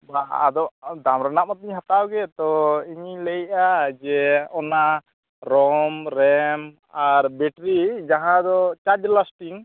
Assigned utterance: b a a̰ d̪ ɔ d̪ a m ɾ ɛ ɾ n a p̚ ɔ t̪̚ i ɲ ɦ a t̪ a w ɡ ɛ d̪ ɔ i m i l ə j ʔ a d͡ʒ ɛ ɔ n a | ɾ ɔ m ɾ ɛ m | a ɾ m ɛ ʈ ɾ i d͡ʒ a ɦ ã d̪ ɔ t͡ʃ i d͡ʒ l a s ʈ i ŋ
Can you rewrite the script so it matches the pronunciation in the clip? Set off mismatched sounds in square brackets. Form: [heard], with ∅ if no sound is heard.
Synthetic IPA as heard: b a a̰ d̪ ɔ d̪ a m ɾ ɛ [∅] n a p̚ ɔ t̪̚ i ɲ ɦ a t̪ a w ɡ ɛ [t̪] ɔ i [ɲ] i l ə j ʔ a d͡ʒ ɛ ɔ n a | ɾ ɔ m ɾ ɛ m | a ɾ [b] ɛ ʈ ɾ i d͡ʒ a ɦ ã d̪ ɔ t͡ʃ [a] d͡ʒ l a s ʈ i ŋ